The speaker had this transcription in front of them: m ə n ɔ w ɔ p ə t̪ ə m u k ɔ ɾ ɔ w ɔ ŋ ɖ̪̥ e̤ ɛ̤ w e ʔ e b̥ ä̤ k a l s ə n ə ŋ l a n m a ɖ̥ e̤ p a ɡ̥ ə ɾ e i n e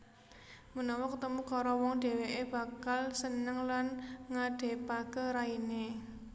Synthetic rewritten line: m ə n ɔ w ɔ k ə t̪ ə m u k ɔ ɾ ɔ w ɔ ŋ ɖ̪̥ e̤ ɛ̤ w e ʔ e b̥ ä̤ k a l s ə n ə ŋ l a n ŋ a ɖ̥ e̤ p a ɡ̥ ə ɾ a i n e

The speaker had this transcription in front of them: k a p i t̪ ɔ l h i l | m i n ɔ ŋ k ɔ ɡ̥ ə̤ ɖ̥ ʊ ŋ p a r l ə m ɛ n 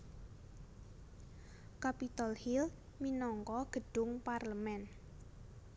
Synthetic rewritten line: k a p i t̪ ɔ l h i l | m i n ɔ ŋ k ɔ ɡ̥ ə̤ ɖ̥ ʊ ŋ p a r l ə m ɛ n

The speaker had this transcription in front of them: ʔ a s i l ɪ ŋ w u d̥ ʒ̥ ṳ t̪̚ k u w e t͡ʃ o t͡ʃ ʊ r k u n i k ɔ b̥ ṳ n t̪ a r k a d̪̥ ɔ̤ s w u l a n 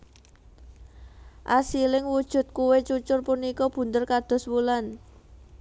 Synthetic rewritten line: ʔ a s i l ɪ ŋ w u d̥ ʒ̥ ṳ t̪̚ k u w e t͡ʃ u t͡ʃ ʊ r p u n i k ɔ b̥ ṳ n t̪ ə r k a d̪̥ ɔ̤ s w u l a n

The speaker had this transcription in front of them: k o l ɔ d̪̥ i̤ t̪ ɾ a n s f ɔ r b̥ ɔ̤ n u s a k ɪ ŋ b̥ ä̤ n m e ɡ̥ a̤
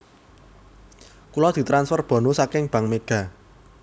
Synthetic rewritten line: k u l ɔ d̪̥ i̤ t̪ ɾ a n s f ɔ r b̥ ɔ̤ n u s a k ɪ ŋ b̥ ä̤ ŋ m e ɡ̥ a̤

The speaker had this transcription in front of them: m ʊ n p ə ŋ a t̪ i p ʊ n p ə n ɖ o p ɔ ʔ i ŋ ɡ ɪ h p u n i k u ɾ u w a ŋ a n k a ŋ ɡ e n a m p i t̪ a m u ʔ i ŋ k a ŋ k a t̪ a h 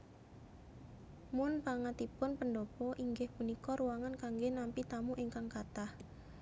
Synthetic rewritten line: m ʊ n p a ŋ a t̪ i p ʊ n p ə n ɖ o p ɔ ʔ i ŋ ɡ ɪ h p u n i k ɔ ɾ u w a ŋ a n k a ŋ ɡ e n a m p i t̪ a m u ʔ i ŋ k a ŋ k a t̪ a h

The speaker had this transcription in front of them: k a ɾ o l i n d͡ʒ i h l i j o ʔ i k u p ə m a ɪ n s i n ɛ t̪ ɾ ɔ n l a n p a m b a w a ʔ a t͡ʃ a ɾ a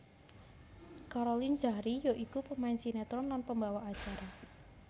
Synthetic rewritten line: k a ɾ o l i n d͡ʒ a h ɾ i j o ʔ i k u p ə m a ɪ n s i n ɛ t̪ ɾ ɔ n l a n p ə m b a w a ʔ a t͡ʃ a ɾ a

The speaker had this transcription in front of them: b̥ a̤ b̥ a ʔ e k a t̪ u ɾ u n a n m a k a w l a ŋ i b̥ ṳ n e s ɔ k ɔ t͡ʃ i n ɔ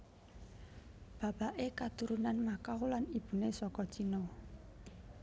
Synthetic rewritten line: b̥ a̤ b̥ a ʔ e k a t̪ u ɾ u n a n m a k a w l a n i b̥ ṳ n e s ɔ k ɔ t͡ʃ i n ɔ

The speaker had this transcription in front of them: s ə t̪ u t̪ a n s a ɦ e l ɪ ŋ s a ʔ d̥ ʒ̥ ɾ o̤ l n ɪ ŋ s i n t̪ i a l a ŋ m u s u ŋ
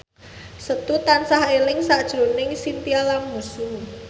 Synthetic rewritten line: s ə t̪ u t̪ a n s a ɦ e l ɪ ŋ s a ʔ d̥ ʒ̥ ɾ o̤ n ɪ ŋ s i n t̪ i a l a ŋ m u s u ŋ

